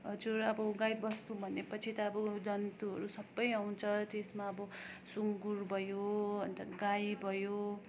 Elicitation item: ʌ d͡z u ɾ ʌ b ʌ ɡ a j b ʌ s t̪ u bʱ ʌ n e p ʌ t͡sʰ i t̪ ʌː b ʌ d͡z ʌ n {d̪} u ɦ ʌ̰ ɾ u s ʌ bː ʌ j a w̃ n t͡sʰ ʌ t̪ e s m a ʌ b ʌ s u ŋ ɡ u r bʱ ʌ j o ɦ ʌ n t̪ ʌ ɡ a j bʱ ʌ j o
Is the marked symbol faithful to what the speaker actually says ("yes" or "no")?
no